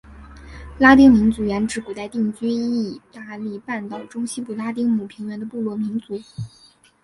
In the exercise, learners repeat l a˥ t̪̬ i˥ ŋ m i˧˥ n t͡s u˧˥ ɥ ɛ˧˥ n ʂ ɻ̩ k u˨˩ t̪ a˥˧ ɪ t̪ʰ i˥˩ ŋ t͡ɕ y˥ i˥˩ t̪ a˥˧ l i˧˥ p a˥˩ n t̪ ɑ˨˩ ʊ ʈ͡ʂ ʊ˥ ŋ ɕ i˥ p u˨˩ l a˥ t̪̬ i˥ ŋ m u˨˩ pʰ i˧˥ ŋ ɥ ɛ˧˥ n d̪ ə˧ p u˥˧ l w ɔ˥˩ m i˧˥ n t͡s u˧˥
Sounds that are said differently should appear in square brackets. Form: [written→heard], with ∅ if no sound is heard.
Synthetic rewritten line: l a˥ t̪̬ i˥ ŋ m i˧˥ n t͡s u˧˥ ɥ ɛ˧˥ n [ʂ→ʈ͡ʂ] ɻ̩ k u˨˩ t̪ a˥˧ ɪ [t̪ʰ→t̪] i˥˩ ŋ t͡ɕ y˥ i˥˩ t̪ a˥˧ l [i˧˥→i˥˩] p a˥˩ n t̪ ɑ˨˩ ʊ ʈ͡ʂ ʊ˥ ŋ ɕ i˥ p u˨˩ l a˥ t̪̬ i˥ ŋ m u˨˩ pʰ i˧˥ ŋ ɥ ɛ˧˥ n d̪ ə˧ p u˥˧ l w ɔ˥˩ m i˧˥ n t͡s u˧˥